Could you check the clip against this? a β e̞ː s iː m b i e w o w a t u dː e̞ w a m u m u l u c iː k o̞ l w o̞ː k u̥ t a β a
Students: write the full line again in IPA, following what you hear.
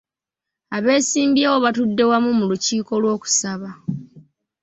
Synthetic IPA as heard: a β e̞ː s iː m b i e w o β a t u dː e̞ w a m u m u l u c iː k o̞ l w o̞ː k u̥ s a β a